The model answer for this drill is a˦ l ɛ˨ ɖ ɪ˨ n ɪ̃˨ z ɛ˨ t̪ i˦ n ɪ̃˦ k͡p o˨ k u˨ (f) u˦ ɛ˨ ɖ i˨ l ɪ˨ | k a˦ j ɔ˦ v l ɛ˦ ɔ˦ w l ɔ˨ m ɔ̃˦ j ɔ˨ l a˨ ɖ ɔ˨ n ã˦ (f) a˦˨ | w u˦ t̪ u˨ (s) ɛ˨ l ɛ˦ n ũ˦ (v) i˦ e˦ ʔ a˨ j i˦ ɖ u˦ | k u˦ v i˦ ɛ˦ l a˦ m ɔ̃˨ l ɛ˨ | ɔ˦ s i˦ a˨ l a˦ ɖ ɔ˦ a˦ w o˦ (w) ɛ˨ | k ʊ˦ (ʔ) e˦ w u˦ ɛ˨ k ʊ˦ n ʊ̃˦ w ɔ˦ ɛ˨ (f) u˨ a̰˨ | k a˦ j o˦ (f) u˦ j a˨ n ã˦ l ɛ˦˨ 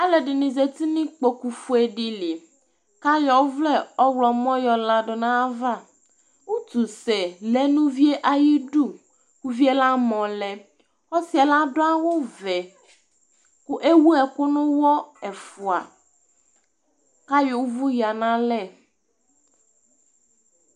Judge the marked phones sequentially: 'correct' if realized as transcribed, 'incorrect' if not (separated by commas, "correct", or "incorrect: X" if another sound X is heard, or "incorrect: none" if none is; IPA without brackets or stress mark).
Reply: correct, incorrect: v, correct, correct, incorrect: v, correct, correct, incorrect: v